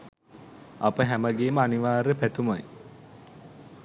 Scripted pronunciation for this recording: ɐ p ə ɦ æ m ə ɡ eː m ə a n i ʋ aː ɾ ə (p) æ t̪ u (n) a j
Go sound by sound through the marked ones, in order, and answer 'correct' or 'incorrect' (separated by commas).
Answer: correct, incorrect